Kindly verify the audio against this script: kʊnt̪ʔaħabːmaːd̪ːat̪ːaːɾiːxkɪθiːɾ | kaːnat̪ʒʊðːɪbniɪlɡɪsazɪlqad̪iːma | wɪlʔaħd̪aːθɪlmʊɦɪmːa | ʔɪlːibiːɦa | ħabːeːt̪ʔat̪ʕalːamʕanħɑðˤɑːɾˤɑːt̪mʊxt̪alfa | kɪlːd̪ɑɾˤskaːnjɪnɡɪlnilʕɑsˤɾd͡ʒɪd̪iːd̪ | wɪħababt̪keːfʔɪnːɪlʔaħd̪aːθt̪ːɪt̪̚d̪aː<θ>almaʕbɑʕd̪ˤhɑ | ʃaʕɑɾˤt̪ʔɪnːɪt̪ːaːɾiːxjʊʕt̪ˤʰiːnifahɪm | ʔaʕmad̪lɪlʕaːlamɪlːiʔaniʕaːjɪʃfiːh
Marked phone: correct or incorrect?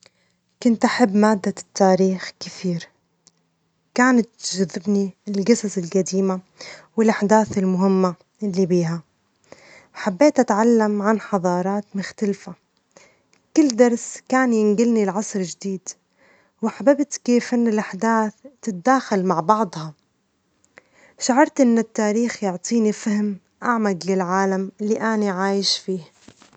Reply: incorrect